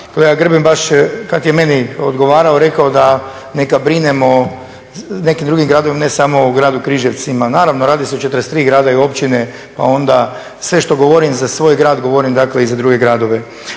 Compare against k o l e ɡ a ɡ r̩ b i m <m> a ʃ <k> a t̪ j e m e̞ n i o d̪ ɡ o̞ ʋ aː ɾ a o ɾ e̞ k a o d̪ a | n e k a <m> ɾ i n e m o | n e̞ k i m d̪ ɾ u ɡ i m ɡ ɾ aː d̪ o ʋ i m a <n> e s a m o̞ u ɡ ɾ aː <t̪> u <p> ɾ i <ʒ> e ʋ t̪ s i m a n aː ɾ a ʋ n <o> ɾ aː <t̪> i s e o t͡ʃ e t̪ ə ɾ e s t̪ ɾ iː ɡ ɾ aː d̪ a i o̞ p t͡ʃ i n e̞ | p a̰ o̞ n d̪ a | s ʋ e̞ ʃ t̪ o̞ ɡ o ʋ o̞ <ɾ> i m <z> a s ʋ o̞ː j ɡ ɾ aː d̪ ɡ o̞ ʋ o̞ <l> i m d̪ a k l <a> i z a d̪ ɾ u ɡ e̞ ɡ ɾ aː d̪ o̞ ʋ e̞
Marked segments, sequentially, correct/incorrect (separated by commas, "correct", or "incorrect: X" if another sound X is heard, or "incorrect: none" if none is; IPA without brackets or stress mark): incorrect: b, correct, incorrect: b, correct, incorrect: d̪, incorrect: k, correct, correct, incorrect: d̪, correct, correct, incorrect: ɾ, incorrect: e